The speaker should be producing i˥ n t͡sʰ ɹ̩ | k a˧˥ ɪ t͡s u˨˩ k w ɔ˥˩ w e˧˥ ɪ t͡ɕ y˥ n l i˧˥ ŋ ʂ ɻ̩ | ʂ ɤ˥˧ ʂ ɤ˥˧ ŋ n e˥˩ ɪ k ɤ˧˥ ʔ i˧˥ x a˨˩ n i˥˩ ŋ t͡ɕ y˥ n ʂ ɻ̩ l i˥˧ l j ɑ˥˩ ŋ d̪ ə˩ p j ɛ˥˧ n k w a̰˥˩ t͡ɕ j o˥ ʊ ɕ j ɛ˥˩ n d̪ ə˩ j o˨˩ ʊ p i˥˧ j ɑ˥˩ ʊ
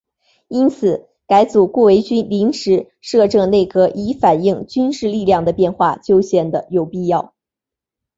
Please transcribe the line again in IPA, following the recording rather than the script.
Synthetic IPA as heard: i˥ n t͡sʰ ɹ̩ | k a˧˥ ɪ t͡s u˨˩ k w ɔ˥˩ w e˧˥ ɪ t͡ɕ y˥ n l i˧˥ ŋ ʂ ɻ̩ | ʂ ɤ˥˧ ʈ͡ʂ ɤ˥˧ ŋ n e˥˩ ɪ k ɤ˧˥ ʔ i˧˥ f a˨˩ n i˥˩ ŋ t͡ɕ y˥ n ʂ ɻ̩ l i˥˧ l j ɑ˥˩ ŋ d̪ ə˩ p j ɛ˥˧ n x w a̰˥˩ t͡ɕ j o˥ ʊ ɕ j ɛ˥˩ n d̪ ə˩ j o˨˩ ʊ p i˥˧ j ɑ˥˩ ʊ

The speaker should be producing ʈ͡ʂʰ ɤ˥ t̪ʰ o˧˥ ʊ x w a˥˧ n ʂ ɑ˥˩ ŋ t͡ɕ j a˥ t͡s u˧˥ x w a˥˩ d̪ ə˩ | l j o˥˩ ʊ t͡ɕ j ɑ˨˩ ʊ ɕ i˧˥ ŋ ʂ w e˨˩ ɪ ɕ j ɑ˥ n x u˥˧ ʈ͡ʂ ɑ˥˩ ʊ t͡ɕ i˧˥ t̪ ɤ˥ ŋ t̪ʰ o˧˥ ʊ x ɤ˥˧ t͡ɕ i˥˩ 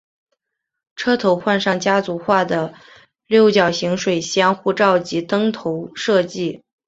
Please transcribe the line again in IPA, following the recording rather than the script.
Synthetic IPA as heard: ʈ͡ʂʰ ɤ˥ t̪ʰ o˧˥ ʊ x w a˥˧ n ʂ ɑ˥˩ ŋ t͡ɕ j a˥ t͡s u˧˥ x w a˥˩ d̪ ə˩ | l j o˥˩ ʊ t͡ɕ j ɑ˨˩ ʊ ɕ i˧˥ ŋ ʂ w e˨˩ ɪ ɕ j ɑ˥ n x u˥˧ ʈ͡ʂ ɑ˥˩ ʊ t͡ɕ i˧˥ t̪ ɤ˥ ŋ t̪ʰ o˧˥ ʊ ʂ ɤ˥˧ t͡ɕ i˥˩

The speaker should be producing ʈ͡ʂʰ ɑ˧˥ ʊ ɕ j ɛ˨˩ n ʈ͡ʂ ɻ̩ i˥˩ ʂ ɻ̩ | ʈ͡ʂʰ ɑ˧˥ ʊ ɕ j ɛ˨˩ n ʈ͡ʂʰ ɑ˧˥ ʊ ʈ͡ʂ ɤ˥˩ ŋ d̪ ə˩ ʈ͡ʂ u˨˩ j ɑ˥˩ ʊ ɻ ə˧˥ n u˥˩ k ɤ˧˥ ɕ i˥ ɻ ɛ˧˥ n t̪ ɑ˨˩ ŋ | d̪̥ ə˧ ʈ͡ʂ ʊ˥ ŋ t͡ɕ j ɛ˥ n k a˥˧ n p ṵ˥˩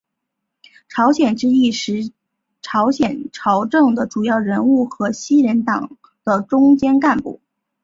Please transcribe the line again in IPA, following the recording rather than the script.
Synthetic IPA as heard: ʈ͡ʂʰ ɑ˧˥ ʊ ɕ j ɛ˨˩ n ʈ͡ʂ ɻ̩ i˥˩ ʂ ɻ̩ | ʈ͡ʂʰ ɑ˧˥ ʊ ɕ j ɛ˨˩ n ʈ͡ʂʰ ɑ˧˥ ʊ ʈ͡ʂ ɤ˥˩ ŋ d̪ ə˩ ʈ͡ʂ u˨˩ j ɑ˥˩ ʊ ɻ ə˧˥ n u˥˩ x ɤ˧˥ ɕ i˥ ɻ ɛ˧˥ n t̪ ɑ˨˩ ŋ | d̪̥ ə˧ ʈ͡ʂ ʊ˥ ŋ t͡ɕ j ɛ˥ n k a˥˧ n p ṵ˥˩

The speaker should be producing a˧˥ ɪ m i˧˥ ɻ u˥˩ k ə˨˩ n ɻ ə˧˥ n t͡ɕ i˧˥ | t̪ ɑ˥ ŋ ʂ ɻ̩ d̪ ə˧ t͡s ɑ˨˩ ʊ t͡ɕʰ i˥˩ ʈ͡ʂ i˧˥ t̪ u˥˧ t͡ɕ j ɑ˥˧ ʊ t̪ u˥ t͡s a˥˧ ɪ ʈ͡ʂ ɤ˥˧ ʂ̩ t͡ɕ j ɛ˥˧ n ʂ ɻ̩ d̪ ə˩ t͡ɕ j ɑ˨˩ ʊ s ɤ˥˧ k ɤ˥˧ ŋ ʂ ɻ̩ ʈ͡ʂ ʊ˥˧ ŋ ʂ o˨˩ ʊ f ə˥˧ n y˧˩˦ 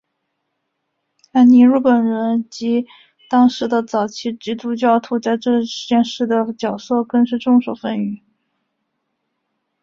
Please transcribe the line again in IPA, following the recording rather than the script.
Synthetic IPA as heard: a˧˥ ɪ n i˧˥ ɻ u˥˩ p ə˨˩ n ɻ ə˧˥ n t͡ɕ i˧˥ | t̪ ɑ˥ ŋ ʂ ɻ̩ d̪ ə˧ t͡s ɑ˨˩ ʊ t͡ɕʰ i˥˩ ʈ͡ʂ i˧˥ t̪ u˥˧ t͡ɕ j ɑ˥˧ ʊ t̪ʰ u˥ t͡s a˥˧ ɪ ʈ͡ʂ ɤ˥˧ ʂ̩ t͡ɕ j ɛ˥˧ n ʂ ɻ̩ d̪ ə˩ t͡ɕ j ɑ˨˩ ʊ s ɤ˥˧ k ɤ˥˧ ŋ ʂ ɻ̩ ʈ͡ʂ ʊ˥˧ ŋ ʂ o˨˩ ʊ f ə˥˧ n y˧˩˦

